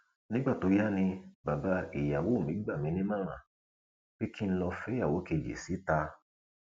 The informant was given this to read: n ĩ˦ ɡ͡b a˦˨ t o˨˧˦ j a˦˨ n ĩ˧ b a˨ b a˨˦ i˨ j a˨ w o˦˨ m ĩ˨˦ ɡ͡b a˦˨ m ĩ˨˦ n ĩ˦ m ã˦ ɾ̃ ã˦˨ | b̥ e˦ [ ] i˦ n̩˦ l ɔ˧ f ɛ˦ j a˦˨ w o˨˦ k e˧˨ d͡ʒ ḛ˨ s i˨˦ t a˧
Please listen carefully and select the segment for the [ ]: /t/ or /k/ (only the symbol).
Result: k